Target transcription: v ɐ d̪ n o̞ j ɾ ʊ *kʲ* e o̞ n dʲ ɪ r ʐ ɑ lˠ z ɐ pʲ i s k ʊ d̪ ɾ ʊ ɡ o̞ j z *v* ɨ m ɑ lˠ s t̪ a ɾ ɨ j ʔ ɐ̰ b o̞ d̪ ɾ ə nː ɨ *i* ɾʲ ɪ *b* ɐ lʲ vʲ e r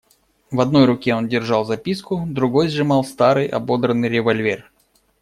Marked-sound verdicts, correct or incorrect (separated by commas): correct, incorrect, incorrect, incorrect